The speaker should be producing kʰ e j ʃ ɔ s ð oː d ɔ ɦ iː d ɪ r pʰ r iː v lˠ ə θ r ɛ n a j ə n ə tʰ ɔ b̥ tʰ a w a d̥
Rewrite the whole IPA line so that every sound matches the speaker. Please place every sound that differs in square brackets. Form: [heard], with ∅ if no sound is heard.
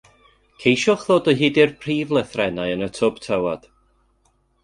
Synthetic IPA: kʰ e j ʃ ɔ [χ] ð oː d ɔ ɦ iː d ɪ r pʰ r iː v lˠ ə θ r ɛ n a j ə n ə tʰ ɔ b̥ tʰ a w a d̥